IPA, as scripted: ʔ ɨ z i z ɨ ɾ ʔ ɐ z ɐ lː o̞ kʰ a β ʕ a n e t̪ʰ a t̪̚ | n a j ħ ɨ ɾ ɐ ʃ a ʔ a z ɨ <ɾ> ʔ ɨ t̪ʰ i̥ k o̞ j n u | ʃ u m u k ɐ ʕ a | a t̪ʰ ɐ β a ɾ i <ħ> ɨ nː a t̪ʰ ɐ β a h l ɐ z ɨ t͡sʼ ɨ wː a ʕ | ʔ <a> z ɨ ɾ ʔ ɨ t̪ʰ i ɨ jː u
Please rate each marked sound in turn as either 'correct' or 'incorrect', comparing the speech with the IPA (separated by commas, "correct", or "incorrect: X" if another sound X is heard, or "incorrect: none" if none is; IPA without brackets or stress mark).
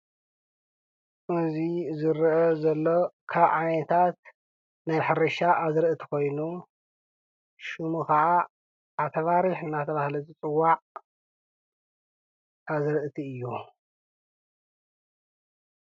correct, correct, correct